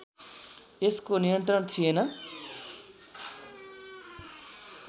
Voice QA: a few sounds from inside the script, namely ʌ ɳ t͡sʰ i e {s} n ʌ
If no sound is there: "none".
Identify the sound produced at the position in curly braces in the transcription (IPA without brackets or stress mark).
none